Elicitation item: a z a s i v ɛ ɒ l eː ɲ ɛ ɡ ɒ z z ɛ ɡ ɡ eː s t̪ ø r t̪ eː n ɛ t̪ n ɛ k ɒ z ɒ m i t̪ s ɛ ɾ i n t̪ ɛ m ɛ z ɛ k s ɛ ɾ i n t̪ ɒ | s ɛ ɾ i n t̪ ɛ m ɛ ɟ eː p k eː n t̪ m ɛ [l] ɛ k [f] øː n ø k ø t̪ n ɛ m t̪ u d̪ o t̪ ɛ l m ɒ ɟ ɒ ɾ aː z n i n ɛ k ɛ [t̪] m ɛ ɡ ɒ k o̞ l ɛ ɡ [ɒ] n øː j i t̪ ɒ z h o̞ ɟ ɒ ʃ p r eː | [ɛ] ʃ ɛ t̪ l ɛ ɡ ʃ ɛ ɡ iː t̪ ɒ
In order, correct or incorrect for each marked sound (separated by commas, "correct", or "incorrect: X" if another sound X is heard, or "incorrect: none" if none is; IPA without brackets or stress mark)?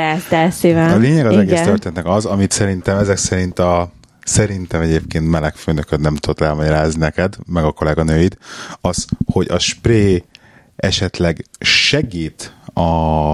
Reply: correct, correct, incorrect: d̪, correct, correct